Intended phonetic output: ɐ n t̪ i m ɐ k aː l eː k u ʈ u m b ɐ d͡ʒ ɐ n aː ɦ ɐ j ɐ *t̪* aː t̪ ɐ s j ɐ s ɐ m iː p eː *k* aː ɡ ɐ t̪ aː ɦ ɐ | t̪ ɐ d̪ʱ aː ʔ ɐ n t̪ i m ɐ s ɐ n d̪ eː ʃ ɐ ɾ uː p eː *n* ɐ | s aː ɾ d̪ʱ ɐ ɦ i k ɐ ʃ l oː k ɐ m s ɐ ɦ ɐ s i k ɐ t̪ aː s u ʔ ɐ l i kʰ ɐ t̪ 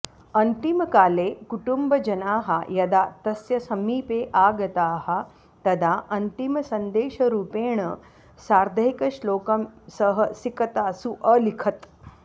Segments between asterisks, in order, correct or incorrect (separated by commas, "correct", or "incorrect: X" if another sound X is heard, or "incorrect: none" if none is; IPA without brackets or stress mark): incorrect: d̪, incorrect: ʔ, incorrect: ɳ